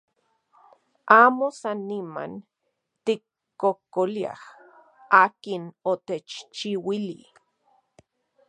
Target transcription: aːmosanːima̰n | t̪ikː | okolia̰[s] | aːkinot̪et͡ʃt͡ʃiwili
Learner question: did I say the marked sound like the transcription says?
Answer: no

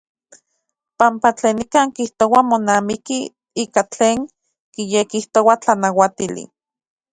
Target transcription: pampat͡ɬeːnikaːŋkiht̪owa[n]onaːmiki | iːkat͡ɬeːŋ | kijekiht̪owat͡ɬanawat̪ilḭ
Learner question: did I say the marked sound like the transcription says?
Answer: no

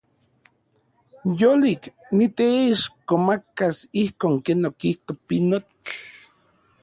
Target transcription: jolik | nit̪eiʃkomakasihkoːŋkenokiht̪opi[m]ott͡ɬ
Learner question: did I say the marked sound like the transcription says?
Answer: no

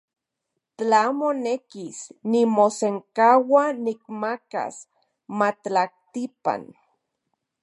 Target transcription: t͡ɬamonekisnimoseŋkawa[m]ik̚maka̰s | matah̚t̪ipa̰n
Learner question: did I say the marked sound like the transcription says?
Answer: no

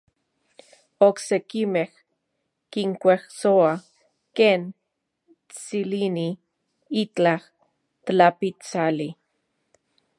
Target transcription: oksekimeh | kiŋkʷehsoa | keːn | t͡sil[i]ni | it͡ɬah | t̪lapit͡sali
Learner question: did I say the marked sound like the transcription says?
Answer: yes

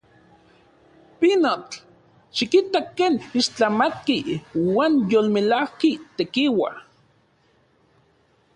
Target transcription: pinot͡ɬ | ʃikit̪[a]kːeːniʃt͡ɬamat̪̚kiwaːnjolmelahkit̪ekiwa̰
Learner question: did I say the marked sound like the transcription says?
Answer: yes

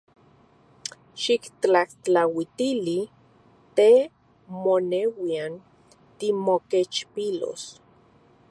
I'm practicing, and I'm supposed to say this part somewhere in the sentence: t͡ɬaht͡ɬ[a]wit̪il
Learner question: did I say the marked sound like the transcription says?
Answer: yes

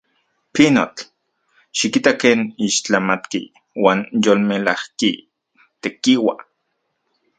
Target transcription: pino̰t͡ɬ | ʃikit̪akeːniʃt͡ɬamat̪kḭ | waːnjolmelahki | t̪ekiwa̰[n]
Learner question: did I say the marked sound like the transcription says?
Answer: no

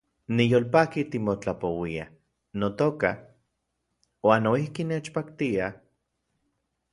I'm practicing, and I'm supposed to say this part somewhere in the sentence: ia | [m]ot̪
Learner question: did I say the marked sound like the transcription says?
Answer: no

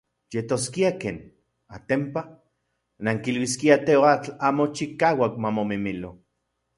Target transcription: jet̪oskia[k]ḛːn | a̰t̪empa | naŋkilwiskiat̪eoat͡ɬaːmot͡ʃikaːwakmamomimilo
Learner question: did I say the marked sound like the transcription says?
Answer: yes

